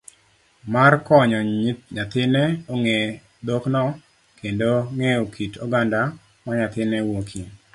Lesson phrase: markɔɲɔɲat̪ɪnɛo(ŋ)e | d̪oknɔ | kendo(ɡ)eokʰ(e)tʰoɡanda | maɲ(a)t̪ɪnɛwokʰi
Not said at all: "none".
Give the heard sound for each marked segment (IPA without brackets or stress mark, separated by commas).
ŋ, ŋ, i, a